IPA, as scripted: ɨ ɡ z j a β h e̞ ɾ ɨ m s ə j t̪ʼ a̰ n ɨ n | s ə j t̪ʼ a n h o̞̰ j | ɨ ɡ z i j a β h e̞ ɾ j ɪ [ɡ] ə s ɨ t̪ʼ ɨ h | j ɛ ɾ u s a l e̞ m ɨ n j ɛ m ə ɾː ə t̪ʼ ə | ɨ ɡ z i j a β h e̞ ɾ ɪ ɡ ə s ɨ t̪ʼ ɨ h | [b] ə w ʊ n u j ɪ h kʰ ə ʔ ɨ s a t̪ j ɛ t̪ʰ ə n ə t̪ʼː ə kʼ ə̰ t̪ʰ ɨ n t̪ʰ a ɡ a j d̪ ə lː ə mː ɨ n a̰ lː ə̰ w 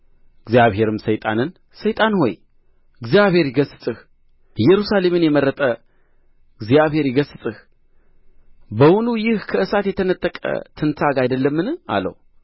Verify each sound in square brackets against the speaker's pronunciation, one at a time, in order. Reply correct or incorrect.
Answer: correct, correct

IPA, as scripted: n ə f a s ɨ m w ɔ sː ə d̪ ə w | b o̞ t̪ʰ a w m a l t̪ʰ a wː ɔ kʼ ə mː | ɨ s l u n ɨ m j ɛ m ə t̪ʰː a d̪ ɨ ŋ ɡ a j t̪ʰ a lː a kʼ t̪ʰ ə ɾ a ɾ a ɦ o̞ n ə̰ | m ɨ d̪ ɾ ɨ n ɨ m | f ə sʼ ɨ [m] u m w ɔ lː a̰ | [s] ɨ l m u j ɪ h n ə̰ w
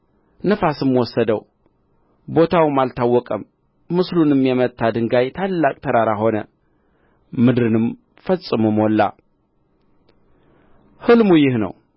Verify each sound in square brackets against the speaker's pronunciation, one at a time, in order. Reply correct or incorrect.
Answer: correct, incorrect

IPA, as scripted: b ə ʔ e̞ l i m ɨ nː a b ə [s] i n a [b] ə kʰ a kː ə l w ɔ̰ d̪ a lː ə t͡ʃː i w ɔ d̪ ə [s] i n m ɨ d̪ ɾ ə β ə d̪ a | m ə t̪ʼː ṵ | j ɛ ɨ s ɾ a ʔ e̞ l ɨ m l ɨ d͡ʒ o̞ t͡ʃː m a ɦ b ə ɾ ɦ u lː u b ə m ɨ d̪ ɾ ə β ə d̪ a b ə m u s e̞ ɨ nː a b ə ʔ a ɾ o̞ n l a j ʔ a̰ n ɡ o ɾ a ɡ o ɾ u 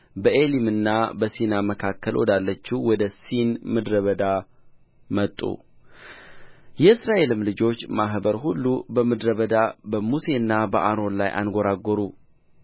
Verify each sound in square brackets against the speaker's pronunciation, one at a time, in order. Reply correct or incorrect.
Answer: correct, incorrect, correct

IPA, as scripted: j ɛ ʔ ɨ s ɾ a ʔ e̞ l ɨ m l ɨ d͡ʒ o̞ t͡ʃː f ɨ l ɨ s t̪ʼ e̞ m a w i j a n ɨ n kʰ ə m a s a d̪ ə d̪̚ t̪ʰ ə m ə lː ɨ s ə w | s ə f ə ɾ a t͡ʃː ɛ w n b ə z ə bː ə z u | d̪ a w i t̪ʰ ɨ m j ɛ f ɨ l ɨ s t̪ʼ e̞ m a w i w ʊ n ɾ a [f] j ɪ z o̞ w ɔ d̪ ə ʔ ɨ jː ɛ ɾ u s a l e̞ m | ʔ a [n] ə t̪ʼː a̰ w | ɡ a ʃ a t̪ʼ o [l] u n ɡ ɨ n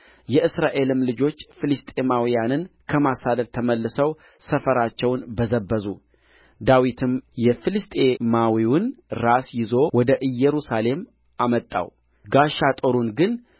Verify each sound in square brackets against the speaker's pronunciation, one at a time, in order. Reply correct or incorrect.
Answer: incorrect, incorrect, incorrect

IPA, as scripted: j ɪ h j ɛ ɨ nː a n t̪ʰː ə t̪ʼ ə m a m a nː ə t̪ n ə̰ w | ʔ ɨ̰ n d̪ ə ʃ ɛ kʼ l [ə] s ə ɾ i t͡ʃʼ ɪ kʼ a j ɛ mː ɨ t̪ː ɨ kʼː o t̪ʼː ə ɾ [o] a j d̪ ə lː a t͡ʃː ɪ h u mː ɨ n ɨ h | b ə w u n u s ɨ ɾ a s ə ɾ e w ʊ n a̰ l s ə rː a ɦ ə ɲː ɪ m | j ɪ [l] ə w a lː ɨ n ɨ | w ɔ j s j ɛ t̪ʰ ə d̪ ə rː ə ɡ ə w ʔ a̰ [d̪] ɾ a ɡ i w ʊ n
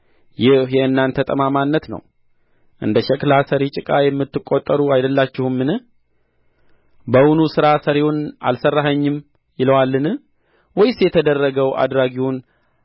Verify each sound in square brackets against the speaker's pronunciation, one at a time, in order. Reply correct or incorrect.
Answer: incorrect, incorrect, correct, correct

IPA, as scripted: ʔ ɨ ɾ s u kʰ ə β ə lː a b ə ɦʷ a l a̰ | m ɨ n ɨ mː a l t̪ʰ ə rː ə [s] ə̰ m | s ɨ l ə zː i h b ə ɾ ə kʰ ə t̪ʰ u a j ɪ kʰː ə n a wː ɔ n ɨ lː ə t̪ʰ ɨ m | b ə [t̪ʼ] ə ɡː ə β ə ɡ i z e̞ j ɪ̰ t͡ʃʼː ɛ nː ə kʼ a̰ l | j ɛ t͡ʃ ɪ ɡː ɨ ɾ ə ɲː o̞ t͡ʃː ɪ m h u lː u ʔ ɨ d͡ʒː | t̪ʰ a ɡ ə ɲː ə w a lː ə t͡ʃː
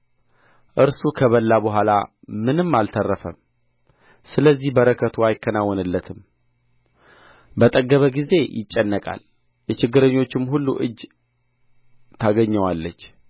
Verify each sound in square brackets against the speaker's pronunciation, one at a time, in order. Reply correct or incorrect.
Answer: incorrect, correct

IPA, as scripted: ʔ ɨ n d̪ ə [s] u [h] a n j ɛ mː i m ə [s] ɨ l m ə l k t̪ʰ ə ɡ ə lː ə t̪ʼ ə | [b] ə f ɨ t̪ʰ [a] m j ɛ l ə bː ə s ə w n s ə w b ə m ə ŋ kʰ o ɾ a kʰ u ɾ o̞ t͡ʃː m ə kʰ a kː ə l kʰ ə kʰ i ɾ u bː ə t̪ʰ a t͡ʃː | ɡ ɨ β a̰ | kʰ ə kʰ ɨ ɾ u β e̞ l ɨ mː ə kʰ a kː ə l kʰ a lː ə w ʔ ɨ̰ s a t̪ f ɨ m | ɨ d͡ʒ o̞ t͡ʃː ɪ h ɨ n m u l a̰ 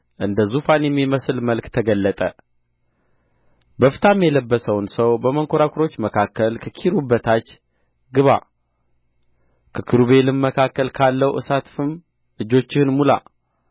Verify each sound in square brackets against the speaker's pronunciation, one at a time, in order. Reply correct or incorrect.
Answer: incorrect, incorrect, correct, correct, correct

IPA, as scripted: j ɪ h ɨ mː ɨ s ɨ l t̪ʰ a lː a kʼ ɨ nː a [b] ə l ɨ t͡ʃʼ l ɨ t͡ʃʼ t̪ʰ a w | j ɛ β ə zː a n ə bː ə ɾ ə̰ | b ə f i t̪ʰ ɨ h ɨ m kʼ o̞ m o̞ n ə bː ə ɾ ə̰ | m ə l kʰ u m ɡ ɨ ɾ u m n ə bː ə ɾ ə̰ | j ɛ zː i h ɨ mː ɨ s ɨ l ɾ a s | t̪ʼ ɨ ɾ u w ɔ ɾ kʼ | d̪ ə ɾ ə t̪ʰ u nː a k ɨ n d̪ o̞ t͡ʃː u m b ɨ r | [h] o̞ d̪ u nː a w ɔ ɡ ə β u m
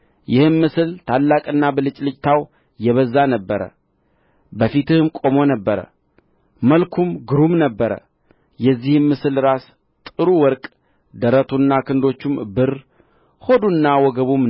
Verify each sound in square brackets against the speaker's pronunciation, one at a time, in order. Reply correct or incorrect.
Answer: correct, correct

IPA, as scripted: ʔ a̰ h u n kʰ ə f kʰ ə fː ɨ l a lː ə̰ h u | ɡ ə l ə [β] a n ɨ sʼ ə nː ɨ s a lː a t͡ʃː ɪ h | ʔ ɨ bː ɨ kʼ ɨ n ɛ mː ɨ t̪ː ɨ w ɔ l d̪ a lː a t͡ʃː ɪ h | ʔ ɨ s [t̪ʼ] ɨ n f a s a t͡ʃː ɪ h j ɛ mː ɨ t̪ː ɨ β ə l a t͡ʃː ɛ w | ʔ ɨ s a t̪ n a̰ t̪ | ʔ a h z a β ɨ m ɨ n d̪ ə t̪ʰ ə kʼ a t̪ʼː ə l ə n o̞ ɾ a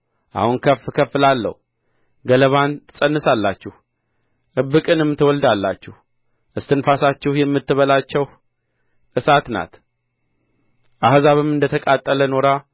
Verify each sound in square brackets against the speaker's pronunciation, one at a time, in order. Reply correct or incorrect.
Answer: correct, incorrect

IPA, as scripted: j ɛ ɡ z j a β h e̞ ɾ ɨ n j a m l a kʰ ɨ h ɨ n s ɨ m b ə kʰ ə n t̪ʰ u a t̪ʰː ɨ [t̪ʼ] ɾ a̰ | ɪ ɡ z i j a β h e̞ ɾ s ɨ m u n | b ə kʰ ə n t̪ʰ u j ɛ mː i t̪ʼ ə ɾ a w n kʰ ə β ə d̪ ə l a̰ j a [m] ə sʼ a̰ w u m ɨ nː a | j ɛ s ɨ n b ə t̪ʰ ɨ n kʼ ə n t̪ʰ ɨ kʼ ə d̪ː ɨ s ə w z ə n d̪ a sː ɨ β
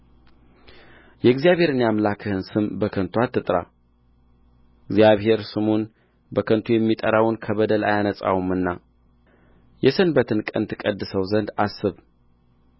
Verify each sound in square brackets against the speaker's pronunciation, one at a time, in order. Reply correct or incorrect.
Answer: correct, incorrect

